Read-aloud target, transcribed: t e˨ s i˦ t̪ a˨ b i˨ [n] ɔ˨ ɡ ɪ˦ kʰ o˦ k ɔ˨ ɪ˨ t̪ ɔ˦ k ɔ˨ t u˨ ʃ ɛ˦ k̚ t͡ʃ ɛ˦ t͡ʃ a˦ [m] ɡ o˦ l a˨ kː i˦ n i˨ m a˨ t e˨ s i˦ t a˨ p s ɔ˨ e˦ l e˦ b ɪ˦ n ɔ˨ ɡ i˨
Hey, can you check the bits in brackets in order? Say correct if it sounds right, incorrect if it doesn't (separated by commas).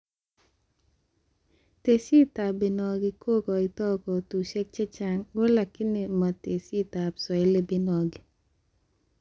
correct, incorrect